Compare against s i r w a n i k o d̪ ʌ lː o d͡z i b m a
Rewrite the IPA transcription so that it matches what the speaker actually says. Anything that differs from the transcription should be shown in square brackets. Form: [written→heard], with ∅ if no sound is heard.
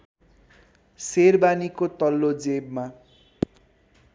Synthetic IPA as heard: s [i→e] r [w→b] a n i k o [d̪→t̪] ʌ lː o d͡z [i→e] b m a

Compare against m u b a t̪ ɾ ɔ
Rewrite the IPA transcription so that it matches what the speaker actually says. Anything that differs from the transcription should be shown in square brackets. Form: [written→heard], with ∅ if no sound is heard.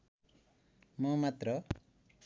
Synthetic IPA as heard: m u [b→m] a t̪ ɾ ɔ

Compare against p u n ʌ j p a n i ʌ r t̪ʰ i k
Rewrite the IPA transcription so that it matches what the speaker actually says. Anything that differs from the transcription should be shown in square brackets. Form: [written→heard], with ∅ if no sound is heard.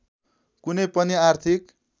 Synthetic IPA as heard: [p→k] u n ʌ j p [a→ʌ] n i [ʌ→a] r t̪ʰ i k

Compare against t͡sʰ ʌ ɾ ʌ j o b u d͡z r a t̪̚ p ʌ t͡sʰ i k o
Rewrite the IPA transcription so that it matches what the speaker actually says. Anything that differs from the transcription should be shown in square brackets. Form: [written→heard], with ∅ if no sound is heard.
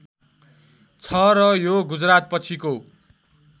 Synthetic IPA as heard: t͡sʰ ʌ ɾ ʌ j o [b→ɡ] u d͡z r a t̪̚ p ʌ t͡sʰ i k o

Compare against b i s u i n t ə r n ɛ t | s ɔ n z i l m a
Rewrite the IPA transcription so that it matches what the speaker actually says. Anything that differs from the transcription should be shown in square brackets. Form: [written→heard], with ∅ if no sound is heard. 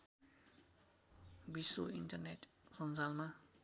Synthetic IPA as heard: b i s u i n t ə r n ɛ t | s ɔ n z [i→a] l m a

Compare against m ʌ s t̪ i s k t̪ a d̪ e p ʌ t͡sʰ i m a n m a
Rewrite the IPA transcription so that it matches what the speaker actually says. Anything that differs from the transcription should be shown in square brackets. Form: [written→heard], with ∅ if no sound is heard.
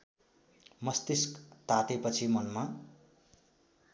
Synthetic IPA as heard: m ʌ s t̪ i s k t̪ a [d̪→t̪] e p ʌ t͡sʰ i m [a→ʌ] n m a

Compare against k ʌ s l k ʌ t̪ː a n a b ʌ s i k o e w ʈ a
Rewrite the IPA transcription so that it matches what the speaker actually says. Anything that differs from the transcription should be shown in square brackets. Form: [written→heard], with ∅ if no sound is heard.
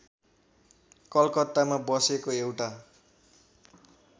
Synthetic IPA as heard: k ʌ [s→∅] l k ʌ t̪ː a [n→m] a b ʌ s [i→e] k o e w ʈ a

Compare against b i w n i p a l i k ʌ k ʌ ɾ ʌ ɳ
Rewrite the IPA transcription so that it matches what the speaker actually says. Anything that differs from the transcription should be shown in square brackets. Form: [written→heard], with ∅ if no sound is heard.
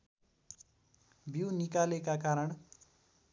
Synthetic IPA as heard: b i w n i [p→k] a l [i→e] k [ʌ→a] k [ʌ→a] ɾ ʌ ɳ

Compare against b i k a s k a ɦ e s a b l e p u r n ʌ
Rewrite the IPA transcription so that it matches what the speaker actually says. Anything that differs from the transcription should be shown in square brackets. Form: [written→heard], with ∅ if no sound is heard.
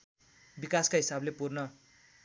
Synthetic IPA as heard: b i k a s k a ɦ [e→i] s a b l e p u r n ʌ

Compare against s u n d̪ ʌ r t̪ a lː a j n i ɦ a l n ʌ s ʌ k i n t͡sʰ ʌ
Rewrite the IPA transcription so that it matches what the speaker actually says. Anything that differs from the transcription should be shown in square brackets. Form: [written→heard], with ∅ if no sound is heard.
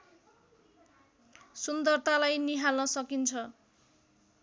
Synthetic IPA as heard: s u n d̪ ʌ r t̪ a [lː→l] a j n i ɦ a l n ʌ s ʌ k i n t͡sʰ ʌ

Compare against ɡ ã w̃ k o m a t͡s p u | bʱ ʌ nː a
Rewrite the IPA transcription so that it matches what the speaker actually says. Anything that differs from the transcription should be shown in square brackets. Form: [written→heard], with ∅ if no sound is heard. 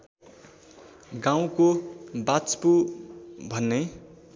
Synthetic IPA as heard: ɡ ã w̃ k o [m→b] a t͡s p u | bʱ ʌ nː [a→e]

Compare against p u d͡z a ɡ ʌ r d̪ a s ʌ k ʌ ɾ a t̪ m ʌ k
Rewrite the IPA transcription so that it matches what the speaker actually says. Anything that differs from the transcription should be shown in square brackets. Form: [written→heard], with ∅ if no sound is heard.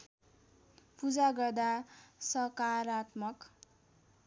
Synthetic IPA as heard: p u d͡z a ɡ ʌ r d̪ a s ʌ k [ʌ→a] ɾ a t̪ m ʌ k

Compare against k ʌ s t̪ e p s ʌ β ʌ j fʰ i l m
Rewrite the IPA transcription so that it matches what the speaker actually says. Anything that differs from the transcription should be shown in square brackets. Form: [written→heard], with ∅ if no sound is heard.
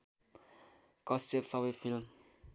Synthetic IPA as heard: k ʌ s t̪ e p s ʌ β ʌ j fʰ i l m

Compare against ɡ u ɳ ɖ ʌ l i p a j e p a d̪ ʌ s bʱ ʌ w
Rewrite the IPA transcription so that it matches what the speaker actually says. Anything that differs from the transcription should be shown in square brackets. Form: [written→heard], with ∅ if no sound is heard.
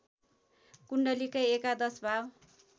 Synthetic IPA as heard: [ɡ→k] u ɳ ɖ ʌ l i [p→k] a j e [p→k] a d̪ ʌ s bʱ [ʌ→a] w

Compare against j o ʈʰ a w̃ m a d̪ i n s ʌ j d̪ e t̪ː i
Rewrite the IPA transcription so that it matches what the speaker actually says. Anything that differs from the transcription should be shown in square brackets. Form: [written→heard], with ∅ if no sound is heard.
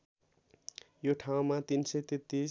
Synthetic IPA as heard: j o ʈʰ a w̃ m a [d̪→t̪] i n s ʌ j [d̪→t̪] e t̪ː i

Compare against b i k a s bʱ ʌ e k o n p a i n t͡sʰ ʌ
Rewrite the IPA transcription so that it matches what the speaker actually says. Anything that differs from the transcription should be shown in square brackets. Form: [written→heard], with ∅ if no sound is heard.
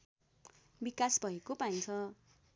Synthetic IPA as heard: b i k a s bʱ ʌ e k o [n→∅] p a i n t͡sʰ ʌ

